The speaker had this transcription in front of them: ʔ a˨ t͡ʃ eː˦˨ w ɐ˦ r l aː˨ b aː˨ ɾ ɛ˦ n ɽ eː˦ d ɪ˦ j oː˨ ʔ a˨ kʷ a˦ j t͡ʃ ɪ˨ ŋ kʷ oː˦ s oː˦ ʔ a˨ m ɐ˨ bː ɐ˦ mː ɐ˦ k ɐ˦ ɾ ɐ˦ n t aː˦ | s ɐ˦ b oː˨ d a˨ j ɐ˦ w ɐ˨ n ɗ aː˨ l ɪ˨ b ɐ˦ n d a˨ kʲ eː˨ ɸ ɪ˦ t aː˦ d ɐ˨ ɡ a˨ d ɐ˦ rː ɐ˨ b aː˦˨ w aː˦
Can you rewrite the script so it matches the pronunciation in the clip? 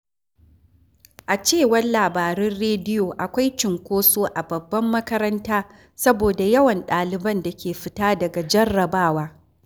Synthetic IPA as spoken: ʔ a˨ t͡ʃ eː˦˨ w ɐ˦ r l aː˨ b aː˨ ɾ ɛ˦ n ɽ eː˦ d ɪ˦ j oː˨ ʔ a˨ kʷ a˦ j t͡ʃ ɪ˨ ŋ kʷ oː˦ s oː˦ ʔ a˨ b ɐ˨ bː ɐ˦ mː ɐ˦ k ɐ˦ ɾ ɐ˦ n t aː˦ | s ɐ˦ b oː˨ d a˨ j ɐ˦ w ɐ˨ n ɗ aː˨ l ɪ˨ b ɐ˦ n d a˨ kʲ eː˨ ɸ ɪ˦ t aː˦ d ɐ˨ ɡ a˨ d͡ʒ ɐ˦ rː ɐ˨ b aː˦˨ w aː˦